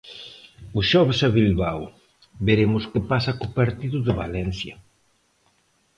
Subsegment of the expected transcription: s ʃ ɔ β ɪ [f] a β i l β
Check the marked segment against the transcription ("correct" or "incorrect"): incorrect